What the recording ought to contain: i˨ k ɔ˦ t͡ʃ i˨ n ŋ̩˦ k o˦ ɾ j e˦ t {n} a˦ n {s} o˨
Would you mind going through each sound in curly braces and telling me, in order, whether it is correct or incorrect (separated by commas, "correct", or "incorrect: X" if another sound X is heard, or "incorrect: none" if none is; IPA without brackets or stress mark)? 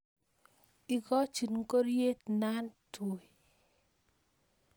correct, incorrect: t